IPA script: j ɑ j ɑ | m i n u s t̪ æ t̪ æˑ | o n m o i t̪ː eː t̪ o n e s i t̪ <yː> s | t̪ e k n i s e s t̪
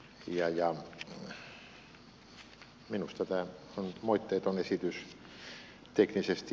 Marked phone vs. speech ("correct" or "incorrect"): incorrect